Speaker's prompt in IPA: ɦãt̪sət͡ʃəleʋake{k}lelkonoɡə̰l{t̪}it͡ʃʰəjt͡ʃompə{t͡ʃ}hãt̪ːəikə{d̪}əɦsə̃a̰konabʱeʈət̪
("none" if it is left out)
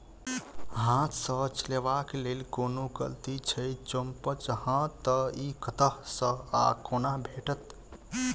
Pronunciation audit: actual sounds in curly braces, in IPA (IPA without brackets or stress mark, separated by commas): none, t̪, t͡ʃ, t̪